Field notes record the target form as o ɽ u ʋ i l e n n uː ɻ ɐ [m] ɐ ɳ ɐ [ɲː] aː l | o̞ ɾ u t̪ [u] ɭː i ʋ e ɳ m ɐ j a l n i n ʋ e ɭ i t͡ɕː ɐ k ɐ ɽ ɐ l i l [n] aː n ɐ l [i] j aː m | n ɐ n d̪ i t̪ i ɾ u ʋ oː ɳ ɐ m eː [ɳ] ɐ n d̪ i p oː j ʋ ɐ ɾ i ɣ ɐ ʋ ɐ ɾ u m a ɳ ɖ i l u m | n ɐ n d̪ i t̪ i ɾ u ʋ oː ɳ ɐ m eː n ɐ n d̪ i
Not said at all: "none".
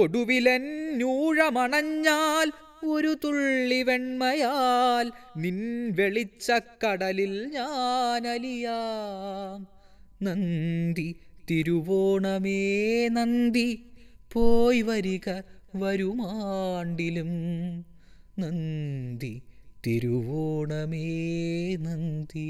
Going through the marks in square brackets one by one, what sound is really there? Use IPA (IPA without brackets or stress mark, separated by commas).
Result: m, ɲː, u, ɲ, i, n